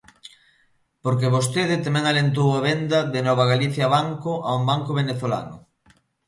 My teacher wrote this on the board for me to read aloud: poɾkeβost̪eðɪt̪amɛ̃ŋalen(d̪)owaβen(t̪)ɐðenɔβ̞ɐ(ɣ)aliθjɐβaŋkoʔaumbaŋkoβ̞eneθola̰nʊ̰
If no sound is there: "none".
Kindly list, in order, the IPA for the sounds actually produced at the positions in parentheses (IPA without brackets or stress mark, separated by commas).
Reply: t̪, d̪, ɣ